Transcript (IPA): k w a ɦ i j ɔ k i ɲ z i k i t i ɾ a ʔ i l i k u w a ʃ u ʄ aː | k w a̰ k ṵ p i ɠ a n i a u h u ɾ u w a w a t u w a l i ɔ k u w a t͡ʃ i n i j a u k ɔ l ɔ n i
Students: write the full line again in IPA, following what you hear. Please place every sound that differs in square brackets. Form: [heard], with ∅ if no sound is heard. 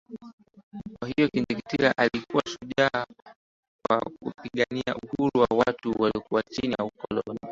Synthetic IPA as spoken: k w a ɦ i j ɔ k i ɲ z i k i t i ɾ a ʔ [a] l i k u w a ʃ u ʄ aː | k w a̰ k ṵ p i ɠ a n i a u h u ɾ u w a w a t u w a l i ɔ k u w a t͡ʃ i n i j a u k ɔ l ɔ n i